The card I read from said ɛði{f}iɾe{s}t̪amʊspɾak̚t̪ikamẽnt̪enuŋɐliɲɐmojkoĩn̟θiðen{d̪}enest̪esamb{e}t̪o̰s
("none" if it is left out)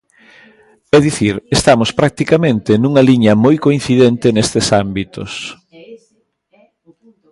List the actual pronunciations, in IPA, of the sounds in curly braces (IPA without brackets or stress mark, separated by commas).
θ, s, t̪, i